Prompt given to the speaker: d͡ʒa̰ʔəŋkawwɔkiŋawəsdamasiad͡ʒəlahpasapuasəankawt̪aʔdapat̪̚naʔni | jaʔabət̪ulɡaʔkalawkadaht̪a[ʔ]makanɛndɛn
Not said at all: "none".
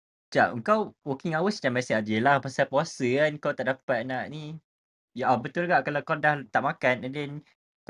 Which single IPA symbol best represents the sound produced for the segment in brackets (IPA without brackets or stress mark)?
ʔ